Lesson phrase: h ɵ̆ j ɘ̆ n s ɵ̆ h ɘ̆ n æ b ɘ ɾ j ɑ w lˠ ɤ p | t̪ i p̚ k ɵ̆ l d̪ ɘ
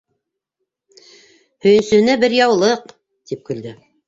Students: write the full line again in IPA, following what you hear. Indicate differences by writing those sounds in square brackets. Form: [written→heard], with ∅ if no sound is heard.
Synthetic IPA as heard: h ɵ̆ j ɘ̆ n s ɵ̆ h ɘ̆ n æ b ɘ ɾ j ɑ w lˠ ɤ [p→q] | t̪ i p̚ k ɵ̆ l d̪ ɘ

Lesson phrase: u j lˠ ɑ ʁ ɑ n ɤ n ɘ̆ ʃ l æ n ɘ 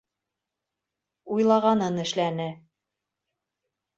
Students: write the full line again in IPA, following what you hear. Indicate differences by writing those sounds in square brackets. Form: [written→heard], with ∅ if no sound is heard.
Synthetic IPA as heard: u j lˠ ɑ ʁ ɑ n ɤ n ɘ̆ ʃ l æ n ɘ

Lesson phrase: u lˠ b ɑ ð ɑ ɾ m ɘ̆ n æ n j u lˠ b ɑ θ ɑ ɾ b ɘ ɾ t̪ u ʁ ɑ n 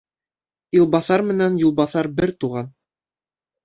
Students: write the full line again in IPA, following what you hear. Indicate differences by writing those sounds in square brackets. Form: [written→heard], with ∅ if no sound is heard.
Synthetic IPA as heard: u lˠ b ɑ [ð→θ] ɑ ɾ m ɘ̆ n æ n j u lˠ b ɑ θ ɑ ɾ b ɘ ɾ t̪ u ʁ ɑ n

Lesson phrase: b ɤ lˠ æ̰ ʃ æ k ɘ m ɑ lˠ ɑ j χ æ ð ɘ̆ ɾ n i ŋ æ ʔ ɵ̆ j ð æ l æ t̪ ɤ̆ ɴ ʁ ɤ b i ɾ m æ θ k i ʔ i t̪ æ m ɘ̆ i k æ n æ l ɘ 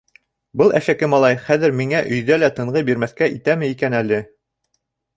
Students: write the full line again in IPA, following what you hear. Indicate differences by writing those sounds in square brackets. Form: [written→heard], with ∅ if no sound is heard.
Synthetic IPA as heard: b ɤ lˠ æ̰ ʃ æ k ɘ m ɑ lˠ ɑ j χ æ ð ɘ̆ ɾ [n→m] i ŋ æ ʔ ɵ̆ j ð æ l æ t̪ ɤ̆ ɴ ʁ ɤ b i ɾ m æ θ k [i→æ] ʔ i t̪ æ m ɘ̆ i k æ n æ l ɘ

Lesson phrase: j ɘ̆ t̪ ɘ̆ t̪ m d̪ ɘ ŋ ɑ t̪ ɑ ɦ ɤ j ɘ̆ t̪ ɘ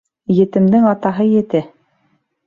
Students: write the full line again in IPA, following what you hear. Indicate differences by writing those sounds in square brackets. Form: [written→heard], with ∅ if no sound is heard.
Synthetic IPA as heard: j ɘ̆ t̪ ɘ̆ [t̪→∅] m d̪ ɘ ŋ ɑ t̪ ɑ ɦ ɤ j ɘ̆ t̪ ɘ

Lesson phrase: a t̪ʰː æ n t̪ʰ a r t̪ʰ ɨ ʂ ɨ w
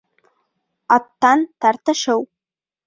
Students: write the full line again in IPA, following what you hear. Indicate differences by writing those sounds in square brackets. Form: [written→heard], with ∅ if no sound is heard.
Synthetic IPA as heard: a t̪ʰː [æ→a] n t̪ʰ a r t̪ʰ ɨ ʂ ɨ w

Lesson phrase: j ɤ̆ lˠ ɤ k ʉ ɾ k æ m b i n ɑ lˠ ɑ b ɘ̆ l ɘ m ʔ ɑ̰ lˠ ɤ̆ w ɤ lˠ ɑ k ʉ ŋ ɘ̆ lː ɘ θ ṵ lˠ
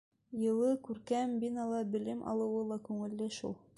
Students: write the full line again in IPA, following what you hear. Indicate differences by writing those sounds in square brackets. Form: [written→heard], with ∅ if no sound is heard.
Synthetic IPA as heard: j ɤ̆ lˠ ɤ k ʉ ɾ k æ m b i n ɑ lˠ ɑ b ɘ̆ l ɘ m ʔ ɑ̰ lˠ ɤ̆ w ɤ lˠ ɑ k ʉ ŋ ɘ̆ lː ɘ [θ→ʃ] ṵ lˠ

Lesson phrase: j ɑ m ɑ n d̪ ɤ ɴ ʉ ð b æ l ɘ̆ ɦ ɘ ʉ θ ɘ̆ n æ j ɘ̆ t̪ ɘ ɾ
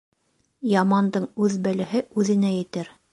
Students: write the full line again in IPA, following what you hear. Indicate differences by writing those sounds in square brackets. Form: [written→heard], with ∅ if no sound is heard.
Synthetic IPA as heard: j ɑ m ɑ n d̪ ɤ ɴ ʉ ð b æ l ɘ̆ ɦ ɘ ʉ [θ→ð] ɘ̆ n æ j ɘ̆ t̪ ɘ ɾ

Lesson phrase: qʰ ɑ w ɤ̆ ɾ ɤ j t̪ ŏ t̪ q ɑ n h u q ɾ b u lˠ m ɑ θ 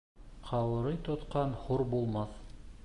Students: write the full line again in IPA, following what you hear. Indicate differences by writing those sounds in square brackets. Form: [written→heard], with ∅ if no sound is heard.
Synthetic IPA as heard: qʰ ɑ w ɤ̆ ɾ ɤ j t̪ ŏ t̪ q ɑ n h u [q→∅] ɾ b u lˠ m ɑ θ

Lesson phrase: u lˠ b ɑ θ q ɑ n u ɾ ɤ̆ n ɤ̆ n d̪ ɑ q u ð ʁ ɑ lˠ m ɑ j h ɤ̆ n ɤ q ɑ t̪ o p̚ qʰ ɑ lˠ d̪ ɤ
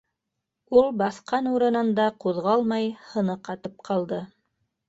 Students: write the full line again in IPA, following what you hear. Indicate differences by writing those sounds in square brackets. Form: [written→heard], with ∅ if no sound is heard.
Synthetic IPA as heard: u lˠ b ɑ θ q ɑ n u ɾ ɤ̆ n ɤ̆ n d̪ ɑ q u ð ʁ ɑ lˠ m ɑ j h ɤ̆ n ɤ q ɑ t̪ [o→ɤ] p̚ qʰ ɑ lˠ d̪ ɤ

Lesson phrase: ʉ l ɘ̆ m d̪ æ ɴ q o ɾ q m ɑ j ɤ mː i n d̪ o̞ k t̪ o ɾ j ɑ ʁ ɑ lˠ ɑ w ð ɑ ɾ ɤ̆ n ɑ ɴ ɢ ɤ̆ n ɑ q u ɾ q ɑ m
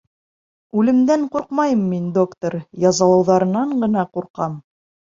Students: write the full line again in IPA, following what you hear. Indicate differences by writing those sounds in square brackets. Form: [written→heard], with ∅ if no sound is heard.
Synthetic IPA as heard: ʉ l ɘ̆ m d̪ æ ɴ q [o→u] ɾ q m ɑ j ɤ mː i n d̪ o̞ k t̪ o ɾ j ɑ [ʁ→z] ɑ lˠ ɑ w ð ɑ ɾ ɤ̆ n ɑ ɴ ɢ ɤ̆ n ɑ q u ɾ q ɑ m

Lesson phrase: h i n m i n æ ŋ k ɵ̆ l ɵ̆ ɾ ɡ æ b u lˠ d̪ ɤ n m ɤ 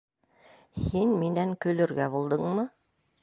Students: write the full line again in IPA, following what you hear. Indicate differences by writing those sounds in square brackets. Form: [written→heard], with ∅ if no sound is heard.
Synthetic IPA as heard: h i n m i n æ ŋ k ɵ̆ l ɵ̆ ɾ ɡ æ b u lˠ d̪ ɤ [n→ɴ] m ɤ

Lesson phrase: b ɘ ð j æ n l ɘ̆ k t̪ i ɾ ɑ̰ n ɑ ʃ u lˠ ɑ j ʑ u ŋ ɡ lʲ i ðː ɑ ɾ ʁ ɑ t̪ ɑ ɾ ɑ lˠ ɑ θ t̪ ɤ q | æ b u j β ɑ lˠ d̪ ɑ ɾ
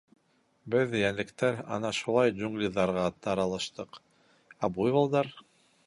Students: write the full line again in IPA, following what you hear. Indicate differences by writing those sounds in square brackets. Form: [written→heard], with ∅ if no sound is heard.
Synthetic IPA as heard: b ɘ ð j æ n l ɘ̆ k t̪ [i→æ] ɾ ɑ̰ n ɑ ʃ u lˠ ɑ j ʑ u ŋ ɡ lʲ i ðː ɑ ɾ ʁ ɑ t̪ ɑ ɾ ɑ lˠ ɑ [θ→ʃ] t̪ ɤ q | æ b u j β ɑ lˠ d̪ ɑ ɾ

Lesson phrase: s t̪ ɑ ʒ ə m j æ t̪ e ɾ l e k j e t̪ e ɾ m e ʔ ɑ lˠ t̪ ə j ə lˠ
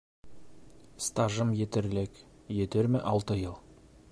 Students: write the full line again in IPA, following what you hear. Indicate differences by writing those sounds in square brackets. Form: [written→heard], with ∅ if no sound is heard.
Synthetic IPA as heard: s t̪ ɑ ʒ ə m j [æ→e] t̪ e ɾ l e k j e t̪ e ɾ m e ʔ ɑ lˠ t̪ ə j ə lˠ

